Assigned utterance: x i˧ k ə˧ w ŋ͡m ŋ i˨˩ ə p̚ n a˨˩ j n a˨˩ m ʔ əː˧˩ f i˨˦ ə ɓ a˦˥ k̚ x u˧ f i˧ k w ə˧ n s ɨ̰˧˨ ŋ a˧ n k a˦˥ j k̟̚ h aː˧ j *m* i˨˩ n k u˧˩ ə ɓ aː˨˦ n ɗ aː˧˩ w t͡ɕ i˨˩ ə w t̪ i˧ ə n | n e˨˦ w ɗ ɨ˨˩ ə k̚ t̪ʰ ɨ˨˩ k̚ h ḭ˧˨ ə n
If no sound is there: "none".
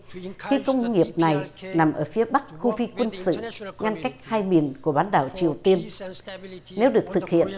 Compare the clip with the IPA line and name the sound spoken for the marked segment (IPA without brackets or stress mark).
m